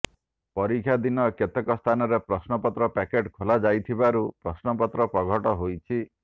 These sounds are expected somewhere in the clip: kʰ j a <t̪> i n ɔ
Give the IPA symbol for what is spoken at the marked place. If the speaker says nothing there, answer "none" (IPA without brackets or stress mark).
d̪